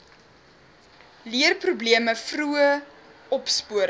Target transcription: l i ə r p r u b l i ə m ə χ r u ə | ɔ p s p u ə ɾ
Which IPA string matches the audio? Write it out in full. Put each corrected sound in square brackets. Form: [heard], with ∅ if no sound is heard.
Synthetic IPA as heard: l i ə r p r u b l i ə m ə [f] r u ə | ɔ p s p u ə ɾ